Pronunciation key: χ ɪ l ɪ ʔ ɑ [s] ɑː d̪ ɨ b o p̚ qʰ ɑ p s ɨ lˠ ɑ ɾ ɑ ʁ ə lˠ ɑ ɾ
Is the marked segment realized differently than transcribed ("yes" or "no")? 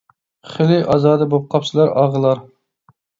yes